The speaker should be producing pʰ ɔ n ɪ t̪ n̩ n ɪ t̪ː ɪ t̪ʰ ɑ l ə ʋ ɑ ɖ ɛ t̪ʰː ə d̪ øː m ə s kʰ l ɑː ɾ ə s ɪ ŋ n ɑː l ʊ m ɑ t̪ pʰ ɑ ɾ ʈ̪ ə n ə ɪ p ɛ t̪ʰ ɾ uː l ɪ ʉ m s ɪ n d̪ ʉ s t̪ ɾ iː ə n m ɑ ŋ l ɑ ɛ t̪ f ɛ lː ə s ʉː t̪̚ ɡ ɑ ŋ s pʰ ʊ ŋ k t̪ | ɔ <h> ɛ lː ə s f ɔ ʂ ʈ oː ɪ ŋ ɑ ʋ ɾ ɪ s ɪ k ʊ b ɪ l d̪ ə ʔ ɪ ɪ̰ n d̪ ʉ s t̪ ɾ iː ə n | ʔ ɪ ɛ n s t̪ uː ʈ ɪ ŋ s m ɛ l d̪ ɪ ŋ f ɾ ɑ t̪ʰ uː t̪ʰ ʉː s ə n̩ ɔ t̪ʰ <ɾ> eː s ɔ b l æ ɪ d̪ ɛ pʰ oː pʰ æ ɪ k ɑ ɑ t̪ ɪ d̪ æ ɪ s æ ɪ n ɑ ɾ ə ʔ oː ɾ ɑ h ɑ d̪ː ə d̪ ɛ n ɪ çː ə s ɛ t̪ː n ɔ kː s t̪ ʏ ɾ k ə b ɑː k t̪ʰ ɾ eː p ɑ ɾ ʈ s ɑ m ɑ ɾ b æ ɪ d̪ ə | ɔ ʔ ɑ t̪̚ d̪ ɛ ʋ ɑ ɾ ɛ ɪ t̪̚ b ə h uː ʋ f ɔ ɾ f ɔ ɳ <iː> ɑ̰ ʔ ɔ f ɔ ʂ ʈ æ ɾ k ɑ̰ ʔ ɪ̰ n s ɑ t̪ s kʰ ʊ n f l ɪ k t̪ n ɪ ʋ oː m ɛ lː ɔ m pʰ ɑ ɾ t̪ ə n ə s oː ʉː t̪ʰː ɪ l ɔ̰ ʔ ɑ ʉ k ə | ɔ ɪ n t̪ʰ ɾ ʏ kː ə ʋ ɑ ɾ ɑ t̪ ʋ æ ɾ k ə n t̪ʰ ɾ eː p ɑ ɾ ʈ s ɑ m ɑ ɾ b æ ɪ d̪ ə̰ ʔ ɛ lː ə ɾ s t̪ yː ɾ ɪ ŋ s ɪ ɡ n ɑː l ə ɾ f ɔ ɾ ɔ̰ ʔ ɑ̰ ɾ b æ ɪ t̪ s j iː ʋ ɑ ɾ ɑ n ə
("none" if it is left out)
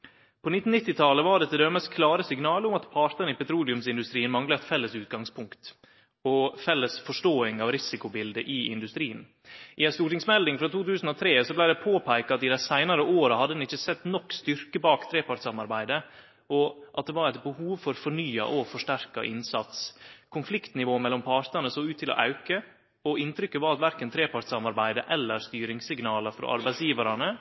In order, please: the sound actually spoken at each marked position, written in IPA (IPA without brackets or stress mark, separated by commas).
f, ɾ, yː